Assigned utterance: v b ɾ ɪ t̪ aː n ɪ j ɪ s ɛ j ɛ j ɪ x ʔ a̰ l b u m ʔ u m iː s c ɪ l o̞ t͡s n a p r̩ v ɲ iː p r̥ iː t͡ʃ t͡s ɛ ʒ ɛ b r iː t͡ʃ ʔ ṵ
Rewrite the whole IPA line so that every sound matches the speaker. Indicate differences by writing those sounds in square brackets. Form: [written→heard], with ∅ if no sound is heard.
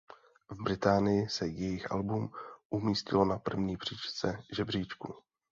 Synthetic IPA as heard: v b ɾ ɪ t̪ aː n ɪ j ɪ s ɛ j ɛ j ɪ x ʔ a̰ l b u m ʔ u m iː s c ɪ l o̞ [t͡s→∅] n a p r̩ v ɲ iː p r̥ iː t͡ʃ t͡s ɛ ʒ ɛ b r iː t͡ʃ [ʔ→k] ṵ